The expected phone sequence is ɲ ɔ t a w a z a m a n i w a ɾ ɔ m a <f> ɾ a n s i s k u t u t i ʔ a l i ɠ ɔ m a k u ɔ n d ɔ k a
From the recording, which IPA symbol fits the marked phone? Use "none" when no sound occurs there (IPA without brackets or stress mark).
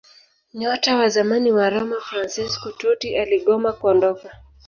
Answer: f